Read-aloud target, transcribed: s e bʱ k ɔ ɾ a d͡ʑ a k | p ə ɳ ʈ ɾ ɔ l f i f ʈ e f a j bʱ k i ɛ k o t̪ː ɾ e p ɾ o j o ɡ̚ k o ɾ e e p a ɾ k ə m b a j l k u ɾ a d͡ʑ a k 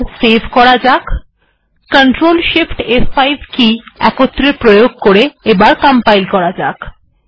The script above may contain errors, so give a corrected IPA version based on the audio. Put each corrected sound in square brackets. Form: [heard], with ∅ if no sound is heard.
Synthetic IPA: s e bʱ k ɔ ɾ a d͡ʑ a k | [k] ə ɳ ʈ ɾ [o] l [ʃ] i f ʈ e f a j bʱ k i ɛ k o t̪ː ɾ e p ɾ o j o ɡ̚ k o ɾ e e [b] a ɾ k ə m [p] a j l k [ɔ] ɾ a d͡ʑ a k